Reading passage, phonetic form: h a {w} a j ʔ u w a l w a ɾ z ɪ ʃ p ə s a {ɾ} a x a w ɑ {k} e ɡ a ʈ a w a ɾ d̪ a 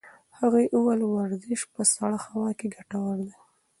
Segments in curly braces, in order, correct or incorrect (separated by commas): incorrect, incorrect, correct